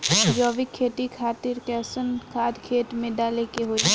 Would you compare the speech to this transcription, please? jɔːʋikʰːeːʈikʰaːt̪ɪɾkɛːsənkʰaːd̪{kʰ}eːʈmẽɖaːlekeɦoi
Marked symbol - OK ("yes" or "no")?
yes